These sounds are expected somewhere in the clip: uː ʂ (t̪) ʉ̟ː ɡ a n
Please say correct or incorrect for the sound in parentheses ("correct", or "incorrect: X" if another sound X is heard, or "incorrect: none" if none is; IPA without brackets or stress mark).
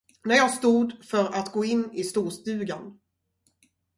correct